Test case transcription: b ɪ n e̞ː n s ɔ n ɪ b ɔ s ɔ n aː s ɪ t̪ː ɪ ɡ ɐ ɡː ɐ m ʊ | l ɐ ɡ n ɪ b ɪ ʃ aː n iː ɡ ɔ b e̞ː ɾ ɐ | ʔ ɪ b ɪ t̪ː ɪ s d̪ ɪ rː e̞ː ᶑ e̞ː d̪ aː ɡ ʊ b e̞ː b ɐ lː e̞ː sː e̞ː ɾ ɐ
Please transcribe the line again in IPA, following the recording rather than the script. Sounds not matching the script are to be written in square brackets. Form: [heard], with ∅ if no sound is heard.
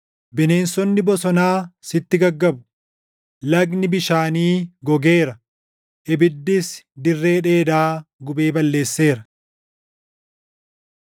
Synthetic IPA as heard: b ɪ n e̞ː n s ɔ [nː] ɪ b ɔ s ɔ n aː s ɪ t̪ː ɪ ɡ ɐ ɡː ɐ [b] ʊ | l ɐ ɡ n ɪ b ɪ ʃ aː n iː ɡ ɔ [ɡ] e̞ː ɾ ɐ | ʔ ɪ b ɪ [d̪ː] ɪ s d̪ ɪ rː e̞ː ᶑ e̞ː d̪ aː ɡ ʊ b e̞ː b ɐ lː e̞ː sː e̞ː ɾ ɐ